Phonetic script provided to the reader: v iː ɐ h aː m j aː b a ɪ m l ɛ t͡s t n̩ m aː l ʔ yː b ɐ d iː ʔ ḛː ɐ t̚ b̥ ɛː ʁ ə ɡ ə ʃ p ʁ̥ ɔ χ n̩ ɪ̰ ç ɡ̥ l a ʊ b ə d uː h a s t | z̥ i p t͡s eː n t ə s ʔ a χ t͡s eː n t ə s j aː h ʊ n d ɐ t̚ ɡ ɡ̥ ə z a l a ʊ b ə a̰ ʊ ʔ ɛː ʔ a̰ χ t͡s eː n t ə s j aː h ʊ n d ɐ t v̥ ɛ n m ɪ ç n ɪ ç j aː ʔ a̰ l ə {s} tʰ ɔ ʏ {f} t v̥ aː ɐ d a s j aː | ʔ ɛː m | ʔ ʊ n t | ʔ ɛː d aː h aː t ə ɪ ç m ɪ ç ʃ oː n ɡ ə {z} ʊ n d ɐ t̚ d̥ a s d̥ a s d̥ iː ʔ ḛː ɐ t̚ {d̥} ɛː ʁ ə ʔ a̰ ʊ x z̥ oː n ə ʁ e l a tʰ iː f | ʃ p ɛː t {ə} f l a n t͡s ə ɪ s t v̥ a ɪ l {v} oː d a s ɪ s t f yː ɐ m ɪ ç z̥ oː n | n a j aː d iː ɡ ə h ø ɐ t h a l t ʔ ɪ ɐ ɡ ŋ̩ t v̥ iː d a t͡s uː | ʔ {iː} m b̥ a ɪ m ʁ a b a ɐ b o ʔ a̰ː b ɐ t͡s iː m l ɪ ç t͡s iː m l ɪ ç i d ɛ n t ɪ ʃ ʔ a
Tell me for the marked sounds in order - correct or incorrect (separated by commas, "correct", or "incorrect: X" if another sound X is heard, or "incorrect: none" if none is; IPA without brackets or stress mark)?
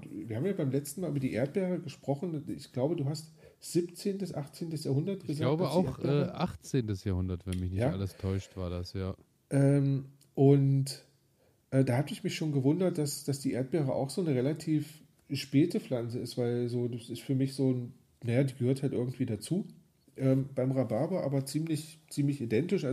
correct, incorrect: ʃ, incorrect: v, incorrect: b̥, correct, incorrect: z, incorrect: ɛː